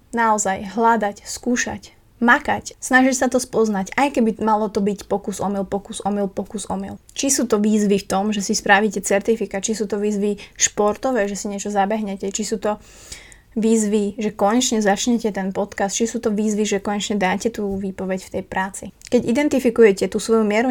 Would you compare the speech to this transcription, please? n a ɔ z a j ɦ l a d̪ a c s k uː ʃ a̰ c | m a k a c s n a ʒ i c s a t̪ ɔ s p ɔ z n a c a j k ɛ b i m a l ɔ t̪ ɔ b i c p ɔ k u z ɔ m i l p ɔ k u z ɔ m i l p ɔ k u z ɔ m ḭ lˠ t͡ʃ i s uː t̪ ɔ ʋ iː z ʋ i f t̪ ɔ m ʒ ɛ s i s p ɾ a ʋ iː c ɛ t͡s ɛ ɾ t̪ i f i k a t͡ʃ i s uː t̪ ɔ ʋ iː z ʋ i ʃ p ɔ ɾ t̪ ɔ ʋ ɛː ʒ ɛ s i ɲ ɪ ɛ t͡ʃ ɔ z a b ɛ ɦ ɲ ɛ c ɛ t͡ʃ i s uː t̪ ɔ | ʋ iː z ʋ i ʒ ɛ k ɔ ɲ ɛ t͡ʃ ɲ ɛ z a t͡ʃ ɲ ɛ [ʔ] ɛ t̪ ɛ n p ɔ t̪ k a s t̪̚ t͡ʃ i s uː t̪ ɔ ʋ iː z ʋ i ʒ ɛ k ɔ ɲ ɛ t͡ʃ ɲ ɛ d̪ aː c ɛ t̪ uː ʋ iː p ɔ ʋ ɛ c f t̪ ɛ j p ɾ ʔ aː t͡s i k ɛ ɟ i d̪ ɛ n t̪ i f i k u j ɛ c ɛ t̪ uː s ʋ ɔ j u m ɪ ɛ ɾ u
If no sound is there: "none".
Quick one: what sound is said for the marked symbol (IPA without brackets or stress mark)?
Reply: c